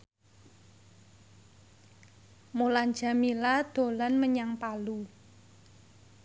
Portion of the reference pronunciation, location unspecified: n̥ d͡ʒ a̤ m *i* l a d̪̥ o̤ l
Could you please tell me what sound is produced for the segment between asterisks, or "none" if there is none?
i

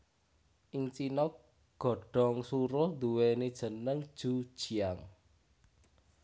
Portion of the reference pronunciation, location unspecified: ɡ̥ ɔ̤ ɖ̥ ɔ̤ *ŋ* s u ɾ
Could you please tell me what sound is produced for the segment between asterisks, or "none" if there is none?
ŋ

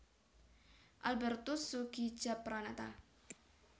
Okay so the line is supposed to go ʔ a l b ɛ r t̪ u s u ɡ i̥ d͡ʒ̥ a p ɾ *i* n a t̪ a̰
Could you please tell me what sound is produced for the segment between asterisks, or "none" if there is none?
a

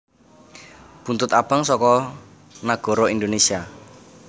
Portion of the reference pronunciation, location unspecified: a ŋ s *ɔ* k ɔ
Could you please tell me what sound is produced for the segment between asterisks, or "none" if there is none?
ɔ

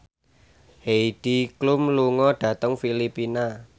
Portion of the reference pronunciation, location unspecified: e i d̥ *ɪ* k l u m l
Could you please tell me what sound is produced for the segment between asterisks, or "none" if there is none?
i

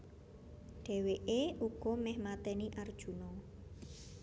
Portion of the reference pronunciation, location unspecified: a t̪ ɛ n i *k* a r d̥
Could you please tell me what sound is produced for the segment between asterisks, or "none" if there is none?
ʔ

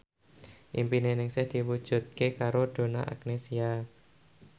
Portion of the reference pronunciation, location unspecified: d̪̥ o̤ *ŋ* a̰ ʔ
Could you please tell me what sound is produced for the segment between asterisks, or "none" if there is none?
n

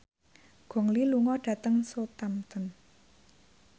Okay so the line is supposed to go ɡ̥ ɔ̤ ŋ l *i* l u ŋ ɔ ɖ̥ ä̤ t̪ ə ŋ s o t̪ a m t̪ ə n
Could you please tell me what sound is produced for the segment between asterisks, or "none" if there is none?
i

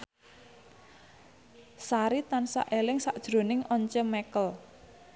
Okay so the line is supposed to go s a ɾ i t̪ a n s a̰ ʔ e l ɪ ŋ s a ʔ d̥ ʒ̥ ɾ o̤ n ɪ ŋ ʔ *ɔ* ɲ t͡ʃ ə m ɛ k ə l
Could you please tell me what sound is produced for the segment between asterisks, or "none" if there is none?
ɔ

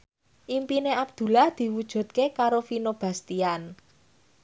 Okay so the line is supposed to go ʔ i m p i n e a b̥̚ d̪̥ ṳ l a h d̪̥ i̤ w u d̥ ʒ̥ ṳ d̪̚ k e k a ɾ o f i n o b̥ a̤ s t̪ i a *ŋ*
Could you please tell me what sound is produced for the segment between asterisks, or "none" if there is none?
n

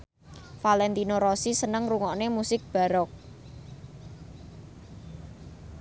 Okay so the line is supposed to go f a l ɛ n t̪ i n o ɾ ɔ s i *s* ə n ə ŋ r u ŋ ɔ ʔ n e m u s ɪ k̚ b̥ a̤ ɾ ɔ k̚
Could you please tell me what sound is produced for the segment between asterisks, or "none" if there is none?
s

